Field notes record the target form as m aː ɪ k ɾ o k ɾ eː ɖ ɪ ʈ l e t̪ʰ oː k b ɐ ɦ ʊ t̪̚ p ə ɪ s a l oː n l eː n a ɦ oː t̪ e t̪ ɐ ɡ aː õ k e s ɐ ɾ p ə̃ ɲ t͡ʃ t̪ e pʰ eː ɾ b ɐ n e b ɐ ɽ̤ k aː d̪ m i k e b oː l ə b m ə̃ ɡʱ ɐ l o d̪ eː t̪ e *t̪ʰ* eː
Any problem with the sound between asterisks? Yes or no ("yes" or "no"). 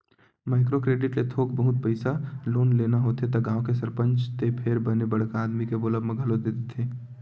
no